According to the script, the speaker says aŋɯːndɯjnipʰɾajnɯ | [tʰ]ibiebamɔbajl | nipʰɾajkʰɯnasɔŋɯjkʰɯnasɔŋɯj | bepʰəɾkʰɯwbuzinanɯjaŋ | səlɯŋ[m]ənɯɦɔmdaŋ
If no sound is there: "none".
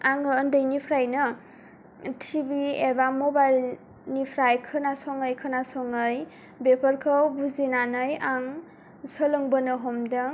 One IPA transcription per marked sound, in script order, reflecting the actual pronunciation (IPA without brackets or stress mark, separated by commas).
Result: tʰ, b